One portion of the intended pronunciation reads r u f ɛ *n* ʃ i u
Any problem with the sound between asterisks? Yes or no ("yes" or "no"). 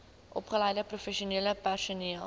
yes